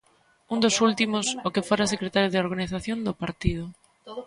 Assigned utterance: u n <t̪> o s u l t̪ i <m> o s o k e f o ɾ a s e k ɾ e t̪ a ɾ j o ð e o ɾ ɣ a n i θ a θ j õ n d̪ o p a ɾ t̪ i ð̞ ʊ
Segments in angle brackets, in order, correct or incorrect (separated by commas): incorrect, correct